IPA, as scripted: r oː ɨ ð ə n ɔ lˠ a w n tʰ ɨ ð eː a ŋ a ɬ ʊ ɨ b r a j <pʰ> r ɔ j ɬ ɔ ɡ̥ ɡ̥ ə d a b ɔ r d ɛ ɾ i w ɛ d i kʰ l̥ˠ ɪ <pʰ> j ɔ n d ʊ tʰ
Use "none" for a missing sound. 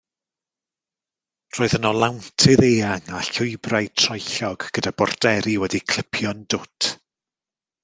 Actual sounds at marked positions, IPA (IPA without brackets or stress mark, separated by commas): tʰ, pʰ